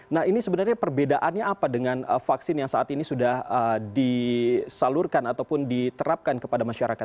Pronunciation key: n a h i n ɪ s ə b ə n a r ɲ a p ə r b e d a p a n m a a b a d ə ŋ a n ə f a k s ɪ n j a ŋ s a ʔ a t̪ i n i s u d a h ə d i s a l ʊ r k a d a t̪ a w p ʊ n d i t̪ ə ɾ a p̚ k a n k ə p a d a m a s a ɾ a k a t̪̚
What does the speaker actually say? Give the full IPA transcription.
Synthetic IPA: n a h i n i s ə b ə n a r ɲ a p ə r b e d a ʔ a n ɲ a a p a d ə ŋ a n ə f a k s ɪ n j a ŋ s a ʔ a t̪ i n i s u d a h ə d i s a l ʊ r k a n a t̪ a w p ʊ n d i t̪ ə ɾ a p̚ k a n k ə p a d a m a ʃ a ɾ a k a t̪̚